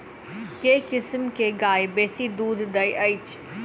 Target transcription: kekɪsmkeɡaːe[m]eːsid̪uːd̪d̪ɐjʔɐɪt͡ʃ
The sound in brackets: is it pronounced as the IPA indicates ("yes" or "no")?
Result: no